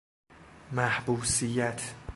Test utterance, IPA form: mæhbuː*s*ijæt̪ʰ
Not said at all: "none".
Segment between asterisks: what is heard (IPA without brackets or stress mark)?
s